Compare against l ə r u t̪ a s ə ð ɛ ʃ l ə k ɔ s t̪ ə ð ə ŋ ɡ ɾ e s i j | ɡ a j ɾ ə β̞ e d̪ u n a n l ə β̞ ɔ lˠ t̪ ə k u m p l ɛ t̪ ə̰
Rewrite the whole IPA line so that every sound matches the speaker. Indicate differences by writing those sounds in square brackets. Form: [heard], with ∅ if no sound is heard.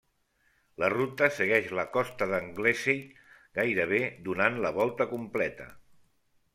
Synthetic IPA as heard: l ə r u t̪ [ə] s ə [ɣ] ɛ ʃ l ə k ɔ s t̪ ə ð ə ŋ ɡ [l] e s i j | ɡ a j ɾ ə β̞ e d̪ u n a n l ə β̞ ɔ lˠ t̪ ə k u m p l ɛ t̪ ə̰

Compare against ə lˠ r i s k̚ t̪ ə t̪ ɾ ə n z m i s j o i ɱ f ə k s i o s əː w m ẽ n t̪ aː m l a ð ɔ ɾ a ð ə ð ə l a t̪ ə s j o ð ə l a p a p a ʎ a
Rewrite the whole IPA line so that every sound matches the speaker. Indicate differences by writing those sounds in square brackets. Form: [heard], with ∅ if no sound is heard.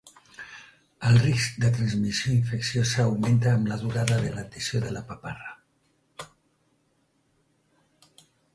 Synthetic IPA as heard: ə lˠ r i s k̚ [d̪] ə t̪ ɾ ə n z m i s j o i ɱ f ə k s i o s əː w m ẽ n t̪ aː m l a ð [u] ɾ a ð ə ð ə l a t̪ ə s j o ð ə l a p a p a [r] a

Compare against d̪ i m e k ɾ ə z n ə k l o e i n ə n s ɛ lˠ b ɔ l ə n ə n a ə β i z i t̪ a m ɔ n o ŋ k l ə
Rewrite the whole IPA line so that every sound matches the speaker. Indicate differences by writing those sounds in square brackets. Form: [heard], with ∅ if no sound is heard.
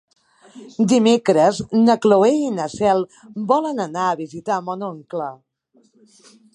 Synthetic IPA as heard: d̪ i m e k ɾ ə z n ə k l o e i n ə [∅] s ɛ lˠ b ɔ l ə n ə n a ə β i z i t̪ a m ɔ n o ŋ k l ə

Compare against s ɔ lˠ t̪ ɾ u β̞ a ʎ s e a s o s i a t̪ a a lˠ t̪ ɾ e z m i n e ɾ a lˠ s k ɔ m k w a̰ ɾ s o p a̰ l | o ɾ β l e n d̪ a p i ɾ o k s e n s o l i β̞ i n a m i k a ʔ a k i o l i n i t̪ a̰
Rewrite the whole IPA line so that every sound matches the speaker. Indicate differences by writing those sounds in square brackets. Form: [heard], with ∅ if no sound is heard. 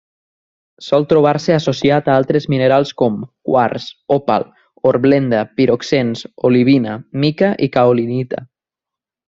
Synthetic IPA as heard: s ɔ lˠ t̪ ɾ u β̞ a [ɾ] s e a s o s i a t̪ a a lˠ t̪ ɾ e z m i n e ɾ a lˠ s k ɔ m k w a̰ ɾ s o p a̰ l | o ɾ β l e n d̪ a p i ɾ o k s e n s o l i β̞ i n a m i k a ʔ [i] k [a] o l i n i t̪ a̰

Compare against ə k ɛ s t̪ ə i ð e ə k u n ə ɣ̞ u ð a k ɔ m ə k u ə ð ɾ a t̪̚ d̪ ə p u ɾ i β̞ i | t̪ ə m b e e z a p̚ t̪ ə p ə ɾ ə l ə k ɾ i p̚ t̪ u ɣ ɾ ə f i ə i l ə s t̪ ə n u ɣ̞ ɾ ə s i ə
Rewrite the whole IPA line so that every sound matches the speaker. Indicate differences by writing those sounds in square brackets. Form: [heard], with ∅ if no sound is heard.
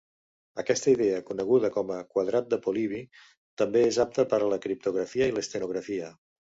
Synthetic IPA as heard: ə k ɛ s t̪ ə i ð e ə k u n ə ɣ̞ u ð [ə] k ɔ m ə k [w] ə ð ɾ a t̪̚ d̪ ə p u [l] i β̞ i | t̪ ə m b e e z a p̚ t̪ ə p ə ɾ ə l ə k ɾ i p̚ t̪ u ɣ ɾ ə f i ə i l ə s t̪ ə n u ɣ̞ ɾ ə [f] i ə

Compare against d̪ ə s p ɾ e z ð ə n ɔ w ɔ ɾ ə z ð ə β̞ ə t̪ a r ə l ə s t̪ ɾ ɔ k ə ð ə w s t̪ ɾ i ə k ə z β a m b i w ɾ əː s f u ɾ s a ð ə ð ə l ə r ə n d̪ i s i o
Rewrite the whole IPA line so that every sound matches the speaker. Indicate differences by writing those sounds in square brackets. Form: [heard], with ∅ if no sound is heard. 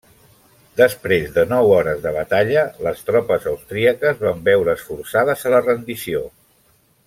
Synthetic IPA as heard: d̪ ə s p ɾ e z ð ə n ɔ w ɔ ɾ ə z ð ə β̞ ə t̪ a [ʎ] ə l ə s t̪ ɾ ɔ [p] ə [z] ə w s t̪ ɾ i ə k ə z β a m b [ɛ] w ɾ əː s f u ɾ s a ð ə [z] ə l ə r ə n d̪ i s i o

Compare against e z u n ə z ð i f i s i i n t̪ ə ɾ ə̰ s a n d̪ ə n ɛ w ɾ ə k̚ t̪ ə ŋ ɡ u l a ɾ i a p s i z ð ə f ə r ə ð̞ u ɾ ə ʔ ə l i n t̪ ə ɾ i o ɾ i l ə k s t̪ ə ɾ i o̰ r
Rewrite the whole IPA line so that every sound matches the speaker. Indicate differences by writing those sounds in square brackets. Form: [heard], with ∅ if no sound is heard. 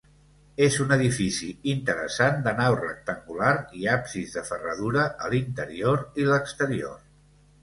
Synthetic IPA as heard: e z u n ə [∅] ð i f i s i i n t̪ ə ɾ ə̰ s a n d̪ ə n [a] w [r] ə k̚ t̪ ə ŋ ɡ u l a ɾ i a p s i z ð ə f ə r ə ð̞ u ɾ ə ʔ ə l i n t̪ ə ɾ i o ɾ i l ə k s t̪ ə ɾ i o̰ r

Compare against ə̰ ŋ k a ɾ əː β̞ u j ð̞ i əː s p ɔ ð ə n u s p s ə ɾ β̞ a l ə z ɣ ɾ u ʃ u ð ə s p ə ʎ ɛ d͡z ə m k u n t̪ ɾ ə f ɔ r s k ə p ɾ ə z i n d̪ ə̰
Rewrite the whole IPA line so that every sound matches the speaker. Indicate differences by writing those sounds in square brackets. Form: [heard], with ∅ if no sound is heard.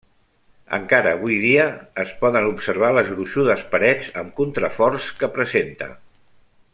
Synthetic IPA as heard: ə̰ ŋ k a ɾ əː β̞ u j ð̞ i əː s p ɔ ð ə n u [∅] p s ə ɾ β̞ a l ə z ɣ ɾ u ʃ u ð ə s p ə [ɾ] ɛ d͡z ə m k u n t̪ ɾ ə f ɔ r s k ə p ɾ ə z [e] n [t̪] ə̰

